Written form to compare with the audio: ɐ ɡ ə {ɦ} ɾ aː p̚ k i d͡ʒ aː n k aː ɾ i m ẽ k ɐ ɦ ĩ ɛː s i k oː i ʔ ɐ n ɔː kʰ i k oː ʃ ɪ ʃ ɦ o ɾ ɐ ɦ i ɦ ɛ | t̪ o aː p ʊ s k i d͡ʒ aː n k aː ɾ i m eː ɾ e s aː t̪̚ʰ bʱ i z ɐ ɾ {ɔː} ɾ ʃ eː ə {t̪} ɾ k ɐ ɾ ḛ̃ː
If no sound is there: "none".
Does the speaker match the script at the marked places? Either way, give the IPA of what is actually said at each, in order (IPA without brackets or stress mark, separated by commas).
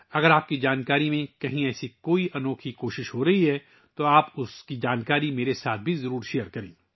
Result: none, uː, none